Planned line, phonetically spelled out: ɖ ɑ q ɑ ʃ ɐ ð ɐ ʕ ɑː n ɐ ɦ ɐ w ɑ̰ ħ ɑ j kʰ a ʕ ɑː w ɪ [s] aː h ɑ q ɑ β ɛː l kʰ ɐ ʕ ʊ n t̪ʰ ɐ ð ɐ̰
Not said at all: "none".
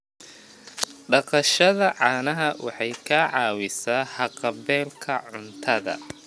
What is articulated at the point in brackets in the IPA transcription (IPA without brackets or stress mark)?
s